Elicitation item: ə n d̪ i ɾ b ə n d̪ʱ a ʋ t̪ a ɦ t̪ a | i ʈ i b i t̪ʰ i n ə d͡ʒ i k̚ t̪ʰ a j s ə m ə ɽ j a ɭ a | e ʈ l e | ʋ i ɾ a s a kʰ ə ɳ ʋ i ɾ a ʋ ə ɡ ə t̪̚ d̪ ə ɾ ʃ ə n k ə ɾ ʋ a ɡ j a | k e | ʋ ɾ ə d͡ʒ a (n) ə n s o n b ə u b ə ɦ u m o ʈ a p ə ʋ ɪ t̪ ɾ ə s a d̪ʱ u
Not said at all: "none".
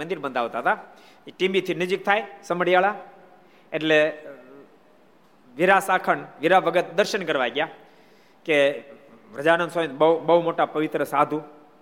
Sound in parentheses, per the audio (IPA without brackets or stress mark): n